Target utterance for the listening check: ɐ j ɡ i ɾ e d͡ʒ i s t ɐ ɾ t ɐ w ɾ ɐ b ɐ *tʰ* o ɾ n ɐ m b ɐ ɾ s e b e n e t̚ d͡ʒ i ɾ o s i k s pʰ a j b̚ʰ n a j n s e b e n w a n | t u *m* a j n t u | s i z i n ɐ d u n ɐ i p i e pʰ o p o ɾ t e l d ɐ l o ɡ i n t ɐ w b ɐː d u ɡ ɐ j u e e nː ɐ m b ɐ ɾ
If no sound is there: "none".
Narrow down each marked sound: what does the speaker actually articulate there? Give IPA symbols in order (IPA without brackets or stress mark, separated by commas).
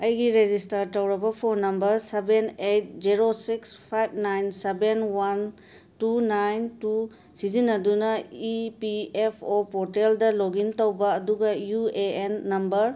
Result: pʰ, n